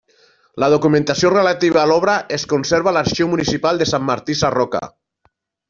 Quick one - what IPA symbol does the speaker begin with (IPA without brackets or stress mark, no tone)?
l